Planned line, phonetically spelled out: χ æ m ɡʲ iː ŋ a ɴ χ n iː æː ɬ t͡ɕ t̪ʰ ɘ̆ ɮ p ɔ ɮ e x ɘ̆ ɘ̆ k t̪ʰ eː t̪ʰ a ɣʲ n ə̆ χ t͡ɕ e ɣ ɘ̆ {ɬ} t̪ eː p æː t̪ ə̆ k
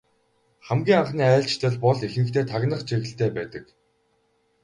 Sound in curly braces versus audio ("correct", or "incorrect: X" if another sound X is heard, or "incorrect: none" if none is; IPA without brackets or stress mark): correct